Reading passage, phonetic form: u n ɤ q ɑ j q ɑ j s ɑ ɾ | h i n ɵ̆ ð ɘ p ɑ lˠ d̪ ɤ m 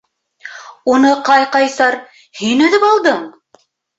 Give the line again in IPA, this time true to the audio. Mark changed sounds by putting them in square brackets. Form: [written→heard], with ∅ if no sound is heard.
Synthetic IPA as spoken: u n ɤ q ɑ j q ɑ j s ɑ ɾ | h i n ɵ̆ ð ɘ p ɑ lˠ d̪ ɤ [m→ɴ]